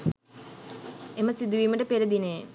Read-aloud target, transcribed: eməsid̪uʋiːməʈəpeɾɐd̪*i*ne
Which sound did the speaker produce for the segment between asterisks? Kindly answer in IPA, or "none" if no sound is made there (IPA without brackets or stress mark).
i